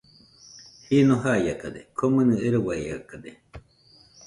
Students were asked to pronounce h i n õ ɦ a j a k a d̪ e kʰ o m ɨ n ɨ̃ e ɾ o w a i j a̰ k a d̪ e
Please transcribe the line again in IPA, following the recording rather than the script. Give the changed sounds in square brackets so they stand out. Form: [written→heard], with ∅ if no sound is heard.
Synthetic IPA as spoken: h i n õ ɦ a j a k a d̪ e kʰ o m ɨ n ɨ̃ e ɾ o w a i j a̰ k a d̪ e